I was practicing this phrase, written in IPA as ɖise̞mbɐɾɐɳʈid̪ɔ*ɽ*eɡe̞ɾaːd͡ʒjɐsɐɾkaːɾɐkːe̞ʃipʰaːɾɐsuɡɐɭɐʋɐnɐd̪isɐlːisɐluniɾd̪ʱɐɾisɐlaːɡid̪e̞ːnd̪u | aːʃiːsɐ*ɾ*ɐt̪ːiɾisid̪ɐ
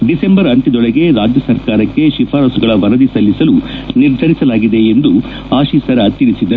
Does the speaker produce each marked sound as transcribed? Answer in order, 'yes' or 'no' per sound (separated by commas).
no, yes